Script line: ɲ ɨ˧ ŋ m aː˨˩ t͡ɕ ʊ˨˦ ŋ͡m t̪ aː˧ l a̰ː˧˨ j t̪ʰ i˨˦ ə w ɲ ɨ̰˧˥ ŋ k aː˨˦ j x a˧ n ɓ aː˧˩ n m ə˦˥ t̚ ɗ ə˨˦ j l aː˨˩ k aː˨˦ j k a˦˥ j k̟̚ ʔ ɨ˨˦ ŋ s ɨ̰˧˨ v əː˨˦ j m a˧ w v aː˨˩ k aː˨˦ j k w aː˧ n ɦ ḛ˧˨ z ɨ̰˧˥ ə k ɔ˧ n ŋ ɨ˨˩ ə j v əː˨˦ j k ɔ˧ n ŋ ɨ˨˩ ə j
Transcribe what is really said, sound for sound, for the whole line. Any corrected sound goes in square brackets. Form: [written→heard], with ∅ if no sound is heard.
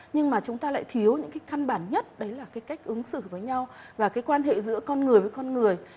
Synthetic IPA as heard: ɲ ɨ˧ ŋ m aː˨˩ t͡ɕ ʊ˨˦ ŋ͡m t̪ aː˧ l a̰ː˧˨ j t̪ʰ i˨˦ ə w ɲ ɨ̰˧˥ ŋ k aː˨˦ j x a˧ n ɓ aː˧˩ n [m→ɲ] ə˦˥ t̚ ɗ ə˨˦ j l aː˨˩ k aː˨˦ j k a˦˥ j k̟̚ ʔ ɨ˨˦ ŋ s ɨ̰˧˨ v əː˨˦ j [m→ɲ] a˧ w v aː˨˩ k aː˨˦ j k w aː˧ n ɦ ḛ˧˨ z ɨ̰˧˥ ə k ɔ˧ n ŋ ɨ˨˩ ə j v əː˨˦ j k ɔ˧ n ŋ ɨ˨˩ ə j